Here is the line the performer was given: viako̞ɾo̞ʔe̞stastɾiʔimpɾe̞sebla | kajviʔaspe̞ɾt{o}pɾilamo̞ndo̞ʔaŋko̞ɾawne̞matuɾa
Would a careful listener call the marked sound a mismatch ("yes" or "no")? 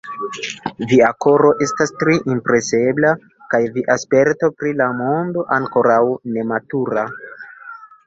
no